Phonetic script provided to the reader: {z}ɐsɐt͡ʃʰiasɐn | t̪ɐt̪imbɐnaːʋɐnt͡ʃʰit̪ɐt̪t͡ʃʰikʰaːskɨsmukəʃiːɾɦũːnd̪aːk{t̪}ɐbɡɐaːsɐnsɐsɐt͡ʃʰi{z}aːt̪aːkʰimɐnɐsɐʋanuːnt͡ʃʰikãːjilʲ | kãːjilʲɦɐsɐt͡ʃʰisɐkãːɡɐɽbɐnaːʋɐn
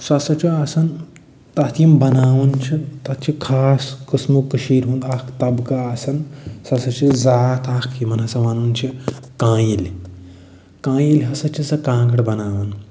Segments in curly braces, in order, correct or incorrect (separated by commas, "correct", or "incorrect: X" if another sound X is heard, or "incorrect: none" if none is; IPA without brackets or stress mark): incorrect: s, correct, correct